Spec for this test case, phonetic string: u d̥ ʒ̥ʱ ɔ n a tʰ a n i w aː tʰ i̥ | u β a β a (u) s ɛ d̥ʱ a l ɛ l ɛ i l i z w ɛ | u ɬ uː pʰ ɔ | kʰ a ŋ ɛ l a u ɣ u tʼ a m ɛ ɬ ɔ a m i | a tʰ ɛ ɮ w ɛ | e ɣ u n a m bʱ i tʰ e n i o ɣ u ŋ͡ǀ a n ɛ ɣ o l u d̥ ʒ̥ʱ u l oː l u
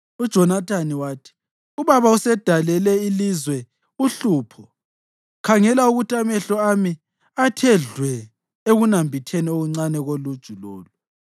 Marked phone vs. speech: correct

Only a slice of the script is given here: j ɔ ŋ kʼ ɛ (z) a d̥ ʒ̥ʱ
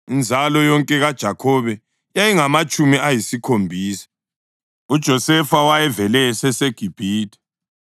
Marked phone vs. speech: incorrect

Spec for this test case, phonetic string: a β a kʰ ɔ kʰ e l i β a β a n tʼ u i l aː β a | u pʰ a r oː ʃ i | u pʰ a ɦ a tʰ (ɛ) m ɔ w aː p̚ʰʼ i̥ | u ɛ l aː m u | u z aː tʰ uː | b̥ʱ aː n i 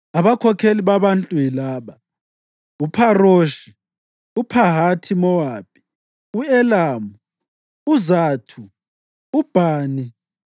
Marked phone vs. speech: incorrect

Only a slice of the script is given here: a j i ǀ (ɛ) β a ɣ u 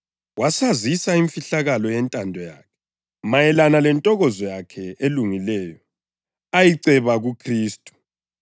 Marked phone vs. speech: correct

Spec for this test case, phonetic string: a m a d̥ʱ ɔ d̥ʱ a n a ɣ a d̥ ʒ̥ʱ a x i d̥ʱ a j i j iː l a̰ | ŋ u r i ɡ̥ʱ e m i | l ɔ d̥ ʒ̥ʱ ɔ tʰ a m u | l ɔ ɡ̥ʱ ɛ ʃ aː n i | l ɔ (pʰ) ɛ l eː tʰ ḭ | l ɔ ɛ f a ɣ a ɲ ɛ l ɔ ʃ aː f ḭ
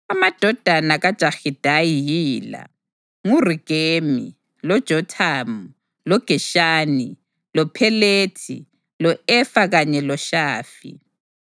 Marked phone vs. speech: correct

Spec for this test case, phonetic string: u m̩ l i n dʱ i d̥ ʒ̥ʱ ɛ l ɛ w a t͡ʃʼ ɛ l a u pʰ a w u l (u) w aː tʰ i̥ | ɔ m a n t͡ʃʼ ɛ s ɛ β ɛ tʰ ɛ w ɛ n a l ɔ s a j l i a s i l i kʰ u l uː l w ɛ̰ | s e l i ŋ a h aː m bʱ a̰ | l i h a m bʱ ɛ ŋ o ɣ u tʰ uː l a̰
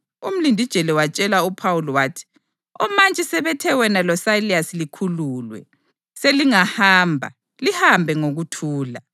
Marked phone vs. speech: incorrect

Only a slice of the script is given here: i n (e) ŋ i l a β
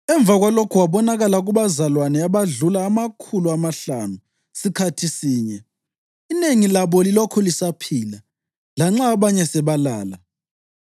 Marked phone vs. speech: correct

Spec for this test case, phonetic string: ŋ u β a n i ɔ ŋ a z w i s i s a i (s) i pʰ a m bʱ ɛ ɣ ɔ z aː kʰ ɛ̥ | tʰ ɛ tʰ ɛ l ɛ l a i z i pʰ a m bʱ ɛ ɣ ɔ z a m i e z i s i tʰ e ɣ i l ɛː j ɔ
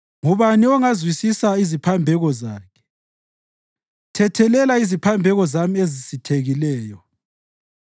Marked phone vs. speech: incorrect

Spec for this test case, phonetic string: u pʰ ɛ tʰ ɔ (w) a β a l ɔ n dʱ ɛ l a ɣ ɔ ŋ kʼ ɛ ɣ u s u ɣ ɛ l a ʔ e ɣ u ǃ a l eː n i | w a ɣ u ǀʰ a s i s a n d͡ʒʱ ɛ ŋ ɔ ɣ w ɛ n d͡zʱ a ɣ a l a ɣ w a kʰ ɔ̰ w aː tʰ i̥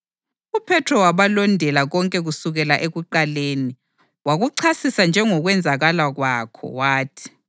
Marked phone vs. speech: correct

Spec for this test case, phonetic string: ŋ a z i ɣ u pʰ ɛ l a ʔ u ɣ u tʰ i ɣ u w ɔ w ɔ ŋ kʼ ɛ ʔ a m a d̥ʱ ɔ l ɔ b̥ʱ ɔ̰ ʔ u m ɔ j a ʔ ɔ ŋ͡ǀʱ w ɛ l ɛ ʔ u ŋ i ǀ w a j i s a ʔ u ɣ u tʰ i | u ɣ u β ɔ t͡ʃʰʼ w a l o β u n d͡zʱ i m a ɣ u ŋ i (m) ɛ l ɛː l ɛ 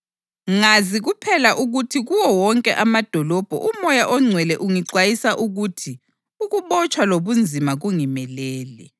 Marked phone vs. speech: correct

